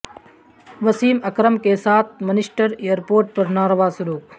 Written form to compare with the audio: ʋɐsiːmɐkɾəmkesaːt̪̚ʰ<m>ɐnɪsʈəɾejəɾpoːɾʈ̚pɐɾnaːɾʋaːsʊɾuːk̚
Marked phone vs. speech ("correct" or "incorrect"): correct